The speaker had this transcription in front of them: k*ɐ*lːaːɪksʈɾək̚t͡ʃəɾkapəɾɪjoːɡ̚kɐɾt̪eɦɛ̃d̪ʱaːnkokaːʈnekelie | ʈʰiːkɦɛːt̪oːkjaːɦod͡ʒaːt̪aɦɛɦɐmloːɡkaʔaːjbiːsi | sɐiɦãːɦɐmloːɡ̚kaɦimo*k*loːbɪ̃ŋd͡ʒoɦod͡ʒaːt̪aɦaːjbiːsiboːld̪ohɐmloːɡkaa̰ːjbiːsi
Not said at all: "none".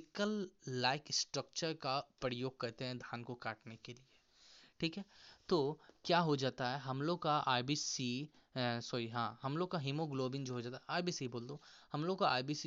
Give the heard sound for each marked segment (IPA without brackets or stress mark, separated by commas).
ə, ɡ